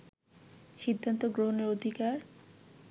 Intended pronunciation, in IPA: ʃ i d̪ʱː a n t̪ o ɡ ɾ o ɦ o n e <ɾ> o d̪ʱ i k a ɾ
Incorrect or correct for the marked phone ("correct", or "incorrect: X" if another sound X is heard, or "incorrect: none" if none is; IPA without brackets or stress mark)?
correct